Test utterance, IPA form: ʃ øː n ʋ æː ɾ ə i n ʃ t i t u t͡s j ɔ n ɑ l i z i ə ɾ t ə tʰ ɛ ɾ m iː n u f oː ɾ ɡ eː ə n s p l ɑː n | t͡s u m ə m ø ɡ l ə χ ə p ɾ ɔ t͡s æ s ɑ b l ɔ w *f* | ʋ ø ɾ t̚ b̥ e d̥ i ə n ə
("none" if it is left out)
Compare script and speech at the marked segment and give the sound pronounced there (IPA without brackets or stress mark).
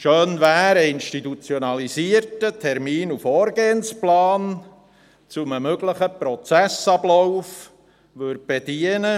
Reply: f